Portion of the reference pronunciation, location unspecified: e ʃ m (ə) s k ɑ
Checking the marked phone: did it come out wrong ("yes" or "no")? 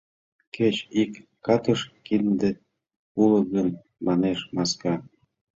yes